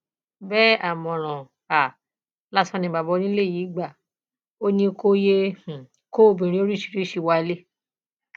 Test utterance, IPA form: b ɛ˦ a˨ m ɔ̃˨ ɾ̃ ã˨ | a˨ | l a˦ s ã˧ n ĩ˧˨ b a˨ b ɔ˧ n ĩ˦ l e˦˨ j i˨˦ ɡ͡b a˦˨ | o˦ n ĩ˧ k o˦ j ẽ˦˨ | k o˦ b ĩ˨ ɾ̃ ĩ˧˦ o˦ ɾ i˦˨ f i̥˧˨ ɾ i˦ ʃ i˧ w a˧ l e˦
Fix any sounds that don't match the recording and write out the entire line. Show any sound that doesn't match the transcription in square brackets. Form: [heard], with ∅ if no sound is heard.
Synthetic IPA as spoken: b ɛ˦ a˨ m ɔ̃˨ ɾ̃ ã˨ | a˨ | l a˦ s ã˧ n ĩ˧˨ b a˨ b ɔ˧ n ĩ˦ l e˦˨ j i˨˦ ɡ͡b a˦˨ | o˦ n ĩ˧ k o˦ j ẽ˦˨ | k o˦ b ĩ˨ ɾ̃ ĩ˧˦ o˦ ɾ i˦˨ [ʃ] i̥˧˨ ɾ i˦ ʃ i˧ w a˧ l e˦